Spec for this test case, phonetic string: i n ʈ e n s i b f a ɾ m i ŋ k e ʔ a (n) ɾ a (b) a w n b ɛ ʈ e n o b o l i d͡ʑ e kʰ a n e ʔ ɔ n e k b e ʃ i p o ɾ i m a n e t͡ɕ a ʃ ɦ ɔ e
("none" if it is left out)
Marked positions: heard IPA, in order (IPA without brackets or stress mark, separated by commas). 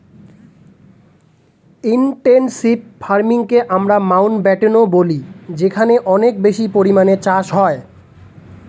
m, m